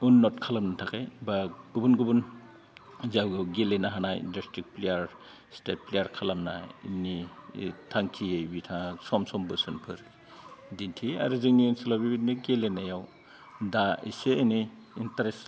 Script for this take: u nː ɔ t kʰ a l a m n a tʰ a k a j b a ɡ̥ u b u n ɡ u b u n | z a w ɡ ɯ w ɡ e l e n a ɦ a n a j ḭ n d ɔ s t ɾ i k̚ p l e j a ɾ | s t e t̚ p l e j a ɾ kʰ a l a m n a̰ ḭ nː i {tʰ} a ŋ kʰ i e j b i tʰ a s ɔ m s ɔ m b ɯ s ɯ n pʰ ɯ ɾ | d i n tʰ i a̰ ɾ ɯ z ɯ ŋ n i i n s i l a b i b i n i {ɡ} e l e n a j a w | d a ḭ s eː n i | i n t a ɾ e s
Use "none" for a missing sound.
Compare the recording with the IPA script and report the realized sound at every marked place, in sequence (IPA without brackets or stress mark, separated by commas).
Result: tʰ, ɡ